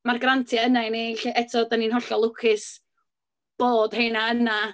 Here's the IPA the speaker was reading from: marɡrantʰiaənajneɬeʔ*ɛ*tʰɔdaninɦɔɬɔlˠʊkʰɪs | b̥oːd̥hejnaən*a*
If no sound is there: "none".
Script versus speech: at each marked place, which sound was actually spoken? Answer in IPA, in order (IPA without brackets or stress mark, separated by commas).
ɛ, a